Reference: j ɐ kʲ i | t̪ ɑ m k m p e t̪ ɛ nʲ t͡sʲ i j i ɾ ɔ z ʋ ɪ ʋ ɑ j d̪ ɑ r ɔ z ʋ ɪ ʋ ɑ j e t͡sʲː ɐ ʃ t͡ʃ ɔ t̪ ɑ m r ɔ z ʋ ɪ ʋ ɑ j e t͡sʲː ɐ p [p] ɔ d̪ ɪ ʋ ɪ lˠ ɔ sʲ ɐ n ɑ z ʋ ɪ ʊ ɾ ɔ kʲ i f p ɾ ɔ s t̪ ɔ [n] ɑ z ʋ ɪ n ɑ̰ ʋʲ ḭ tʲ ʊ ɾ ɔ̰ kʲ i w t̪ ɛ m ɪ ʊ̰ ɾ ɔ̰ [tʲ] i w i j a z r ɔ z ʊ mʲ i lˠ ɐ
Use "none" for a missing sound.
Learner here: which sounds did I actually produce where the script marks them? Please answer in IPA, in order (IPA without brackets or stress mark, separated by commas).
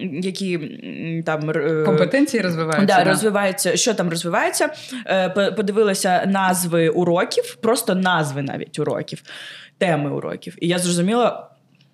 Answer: p, n, kʲ